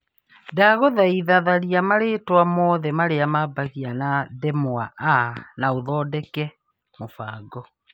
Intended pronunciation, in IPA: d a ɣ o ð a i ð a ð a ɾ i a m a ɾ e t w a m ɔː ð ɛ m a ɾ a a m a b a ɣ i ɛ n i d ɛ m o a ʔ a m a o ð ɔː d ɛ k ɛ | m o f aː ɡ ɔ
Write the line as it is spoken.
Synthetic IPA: d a ɣ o ð a i ð a ð a ɾ i a m a ɾ e t w a m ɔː ð ɛ m a ɾ e a m a b a ɣ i a n a d ɛ m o a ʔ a n a o ð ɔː d ɛ k ɛ | m o f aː ɡ ɔ